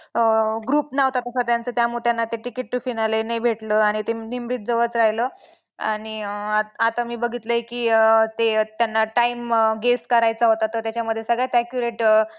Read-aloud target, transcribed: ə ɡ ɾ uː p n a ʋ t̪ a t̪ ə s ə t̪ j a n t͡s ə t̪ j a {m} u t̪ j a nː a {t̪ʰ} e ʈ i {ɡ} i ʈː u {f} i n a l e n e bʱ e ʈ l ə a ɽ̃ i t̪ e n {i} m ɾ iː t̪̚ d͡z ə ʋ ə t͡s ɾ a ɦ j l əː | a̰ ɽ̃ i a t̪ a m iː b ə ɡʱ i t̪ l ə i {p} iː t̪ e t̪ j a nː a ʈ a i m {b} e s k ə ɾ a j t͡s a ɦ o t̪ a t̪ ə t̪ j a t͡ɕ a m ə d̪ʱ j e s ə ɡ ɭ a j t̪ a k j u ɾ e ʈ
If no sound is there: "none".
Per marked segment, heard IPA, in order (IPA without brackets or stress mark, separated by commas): m, t̪, k, f, i, k, ɡ